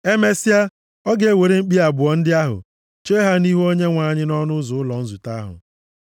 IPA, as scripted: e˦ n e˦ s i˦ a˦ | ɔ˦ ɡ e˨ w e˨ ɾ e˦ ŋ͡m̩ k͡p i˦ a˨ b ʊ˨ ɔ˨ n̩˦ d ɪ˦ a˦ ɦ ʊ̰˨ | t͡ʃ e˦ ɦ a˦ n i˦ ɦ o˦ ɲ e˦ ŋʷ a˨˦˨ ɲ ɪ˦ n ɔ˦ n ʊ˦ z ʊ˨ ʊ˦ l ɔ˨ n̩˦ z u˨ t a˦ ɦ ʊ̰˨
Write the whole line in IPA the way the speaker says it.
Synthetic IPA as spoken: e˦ m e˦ s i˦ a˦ | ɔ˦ ɡ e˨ w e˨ ɾ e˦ ŋ͡m̩ k͡p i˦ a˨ b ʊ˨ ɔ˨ n̩˦ d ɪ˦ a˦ ɦ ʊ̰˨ | t͡ʃ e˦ ɦ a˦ n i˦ ɦ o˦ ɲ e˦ ŋʷ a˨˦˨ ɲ ɪ˦ n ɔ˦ n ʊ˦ z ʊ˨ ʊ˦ l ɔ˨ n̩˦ z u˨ t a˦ ɦ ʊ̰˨